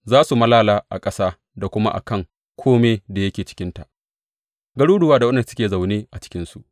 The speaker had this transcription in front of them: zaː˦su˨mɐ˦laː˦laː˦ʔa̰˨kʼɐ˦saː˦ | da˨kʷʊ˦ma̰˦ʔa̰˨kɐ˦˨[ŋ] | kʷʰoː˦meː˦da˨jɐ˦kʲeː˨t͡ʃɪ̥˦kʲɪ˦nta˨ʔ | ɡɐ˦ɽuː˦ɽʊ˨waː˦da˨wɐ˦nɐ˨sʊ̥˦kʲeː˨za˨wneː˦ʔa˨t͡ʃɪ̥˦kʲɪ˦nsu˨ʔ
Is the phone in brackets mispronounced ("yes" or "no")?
no